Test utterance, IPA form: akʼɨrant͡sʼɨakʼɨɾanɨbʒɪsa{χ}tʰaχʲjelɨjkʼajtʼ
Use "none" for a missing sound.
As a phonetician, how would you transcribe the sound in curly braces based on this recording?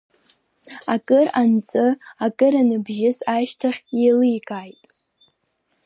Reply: ʃ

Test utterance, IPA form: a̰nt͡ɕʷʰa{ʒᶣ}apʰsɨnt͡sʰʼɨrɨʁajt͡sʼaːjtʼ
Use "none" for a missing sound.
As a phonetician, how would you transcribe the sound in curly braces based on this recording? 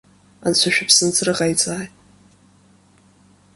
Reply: ʃᶣ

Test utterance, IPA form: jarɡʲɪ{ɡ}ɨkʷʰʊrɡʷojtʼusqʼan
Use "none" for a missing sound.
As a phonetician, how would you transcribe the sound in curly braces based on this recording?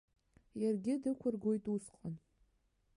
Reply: d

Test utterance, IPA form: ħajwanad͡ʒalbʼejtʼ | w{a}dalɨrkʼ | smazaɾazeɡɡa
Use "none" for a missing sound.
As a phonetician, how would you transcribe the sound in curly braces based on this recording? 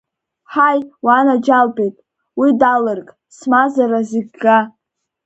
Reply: i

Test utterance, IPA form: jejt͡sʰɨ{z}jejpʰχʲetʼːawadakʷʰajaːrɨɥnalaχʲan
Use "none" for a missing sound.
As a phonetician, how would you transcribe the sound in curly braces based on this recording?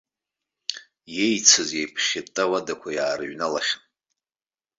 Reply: z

